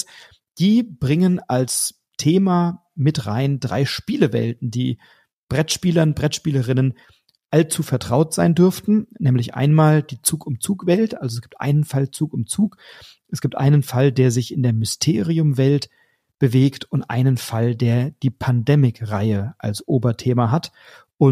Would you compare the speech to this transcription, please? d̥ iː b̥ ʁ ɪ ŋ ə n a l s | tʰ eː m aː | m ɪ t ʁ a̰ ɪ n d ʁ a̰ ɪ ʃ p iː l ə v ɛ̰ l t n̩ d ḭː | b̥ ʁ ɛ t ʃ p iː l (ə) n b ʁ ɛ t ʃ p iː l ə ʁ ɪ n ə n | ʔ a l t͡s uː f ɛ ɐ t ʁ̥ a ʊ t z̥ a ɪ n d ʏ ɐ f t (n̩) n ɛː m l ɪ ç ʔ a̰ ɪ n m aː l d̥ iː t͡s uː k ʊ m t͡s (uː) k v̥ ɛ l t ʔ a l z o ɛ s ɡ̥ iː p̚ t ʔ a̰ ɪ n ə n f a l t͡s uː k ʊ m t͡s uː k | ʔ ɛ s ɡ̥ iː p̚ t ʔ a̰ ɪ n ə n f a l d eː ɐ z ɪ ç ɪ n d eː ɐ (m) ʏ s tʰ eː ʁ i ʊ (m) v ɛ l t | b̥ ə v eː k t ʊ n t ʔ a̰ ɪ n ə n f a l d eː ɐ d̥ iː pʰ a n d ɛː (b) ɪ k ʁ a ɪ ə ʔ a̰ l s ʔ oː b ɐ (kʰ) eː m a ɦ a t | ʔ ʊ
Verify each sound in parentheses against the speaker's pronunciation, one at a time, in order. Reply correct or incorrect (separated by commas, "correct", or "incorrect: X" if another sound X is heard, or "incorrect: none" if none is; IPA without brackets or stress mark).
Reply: incorrect: ɐ, correct, correct, correct, correct, incorrect: m, incorrect: tʰ